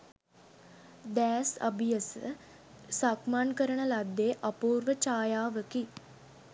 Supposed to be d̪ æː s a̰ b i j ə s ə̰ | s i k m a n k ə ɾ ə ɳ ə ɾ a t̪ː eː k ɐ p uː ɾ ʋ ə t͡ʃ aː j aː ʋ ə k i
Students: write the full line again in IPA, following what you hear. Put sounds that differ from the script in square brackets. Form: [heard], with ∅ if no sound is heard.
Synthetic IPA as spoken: d̪ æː s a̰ b i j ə s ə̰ | s [a] k m a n k ə ɾ ə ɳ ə [l] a [d̪ː] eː [ʔ] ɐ p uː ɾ ʋ ə t͡ʃ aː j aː ʋ ə k i